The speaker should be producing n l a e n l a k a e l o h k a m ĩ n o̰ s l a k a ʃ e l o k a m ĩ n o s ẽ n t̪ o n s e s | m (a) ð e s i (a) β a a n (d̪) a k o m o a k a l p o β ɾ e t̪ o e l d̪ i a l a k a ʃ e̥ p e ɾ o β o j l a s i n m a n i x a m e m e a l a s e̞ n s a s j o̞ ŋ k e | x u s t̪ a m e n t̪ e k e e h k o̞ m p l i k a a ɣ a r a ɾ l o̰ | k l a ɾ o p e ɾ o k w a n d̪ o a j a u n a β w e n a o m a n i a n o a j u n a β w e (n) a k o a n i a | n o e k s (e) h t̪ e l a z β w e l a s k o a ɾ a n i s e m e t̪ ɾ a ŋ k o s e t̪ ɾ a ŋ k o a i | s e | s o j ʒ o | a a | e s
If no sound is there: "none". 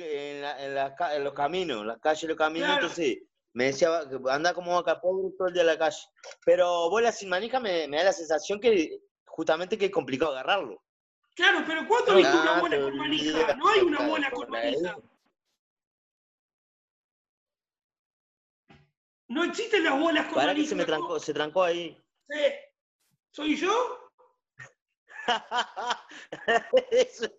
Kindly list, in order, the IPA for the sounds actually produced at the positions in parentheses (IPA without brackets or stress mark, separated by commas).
e, a, d̪, n, i